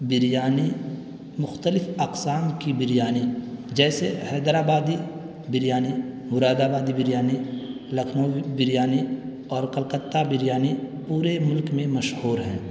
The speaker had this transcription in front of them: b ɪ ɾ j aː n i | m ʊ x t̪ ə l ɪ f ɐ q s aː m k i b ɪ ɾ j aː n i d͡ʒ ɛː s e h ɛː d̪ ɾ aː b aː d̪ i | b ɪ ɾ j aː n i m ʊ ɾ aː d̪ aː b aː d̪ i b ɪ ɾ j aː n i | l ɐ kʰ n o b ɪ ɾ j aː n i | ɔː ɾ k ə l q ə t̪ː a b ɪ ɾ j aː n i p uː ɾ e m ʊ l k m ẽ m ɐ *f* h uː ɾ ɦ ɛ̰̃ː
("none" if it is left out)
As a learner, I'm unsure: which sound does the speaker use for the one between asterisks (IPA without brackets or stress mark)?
ʃ